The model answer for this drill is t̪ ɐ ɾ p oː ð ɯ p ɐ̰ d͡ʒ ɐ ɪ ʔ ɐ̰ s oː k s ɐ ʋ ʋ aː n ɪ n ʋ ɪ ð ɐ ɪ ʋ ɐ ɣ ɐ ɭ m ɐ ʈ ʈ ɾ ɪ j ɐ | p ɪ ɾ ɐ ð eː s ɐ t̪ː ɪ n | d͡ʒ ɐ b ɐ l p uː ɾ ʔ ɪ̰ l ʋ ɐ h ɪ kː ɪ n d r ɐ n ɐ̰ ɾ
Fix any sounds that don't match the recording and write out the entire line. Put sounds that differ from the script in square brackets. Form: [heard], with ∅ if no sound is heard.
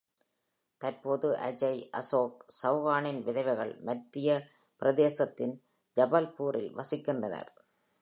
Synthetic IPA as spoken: t̪ ɐ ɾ p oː ð ɯ [ʔ] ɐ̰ d͡ʒ ɐ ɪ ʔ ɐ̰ s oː k s ɐ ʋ ʋ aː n ɪ n ʋ ɪ ð ɐ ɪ ʋ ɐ ɣ ɐ ɭ m ɐ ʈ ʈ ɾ ɪ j ɐ | p ɪ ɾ ɐ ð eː s ɐ t̪ː ɪ n | d͡ʒ ɐ b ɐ l p uː ɾ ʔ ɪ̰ l ʋ ɐ [s] ɪ kː ɪ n d r ɐ n ɐ̰ ɾ